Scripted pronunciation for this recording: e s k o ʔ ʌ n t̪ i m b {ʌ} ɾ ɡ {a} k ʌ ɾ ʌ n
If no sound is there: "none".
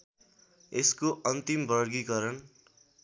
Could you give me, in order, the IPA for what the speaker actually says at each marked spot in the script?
ʌ, i

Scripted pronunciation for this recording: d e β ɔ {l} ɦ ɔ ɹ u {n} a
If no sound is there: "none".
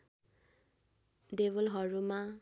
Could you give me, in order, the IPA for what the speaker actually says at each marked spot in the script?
l, m

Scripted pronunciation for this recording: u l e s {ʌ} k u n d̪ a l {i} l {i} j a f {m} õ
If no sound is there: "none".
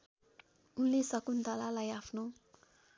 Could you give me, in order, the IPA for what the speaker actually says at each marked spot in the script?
a, a, a, n

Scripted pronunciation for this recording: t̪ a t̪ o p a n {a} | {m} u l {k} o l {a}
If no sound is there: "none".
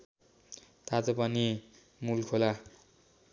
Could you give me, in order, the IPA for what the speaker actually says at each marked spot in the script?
i, m, kʰ, a

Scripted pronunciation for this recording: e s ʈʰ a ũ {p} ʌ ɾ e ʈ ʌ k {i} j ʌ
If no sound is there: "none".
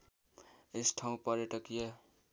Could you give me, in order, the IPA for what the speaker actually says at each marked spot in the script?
p, i

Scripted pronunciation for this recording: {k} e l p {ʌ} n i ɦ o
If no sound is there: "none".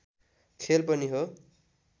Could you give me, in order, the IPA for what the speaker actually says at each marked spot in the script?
kʰ, ʌ

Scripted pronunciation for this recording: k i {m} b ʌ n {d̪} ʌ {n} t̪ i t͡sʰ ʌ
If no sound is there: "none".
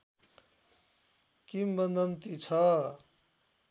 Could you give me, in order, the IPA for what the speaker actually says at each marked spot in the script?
m, d̪, n

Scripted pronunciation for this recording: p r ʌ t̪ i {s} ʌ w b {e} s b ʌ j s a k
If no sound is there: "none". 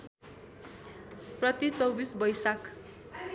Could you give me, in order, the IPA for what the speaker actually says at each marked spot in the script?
t͡s, i

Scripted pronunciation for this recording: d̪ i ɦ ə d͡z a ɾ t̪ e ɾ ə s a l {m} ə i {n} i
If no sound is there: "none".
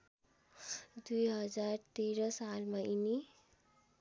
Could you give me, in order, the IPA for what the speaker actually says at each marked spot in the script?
m, n

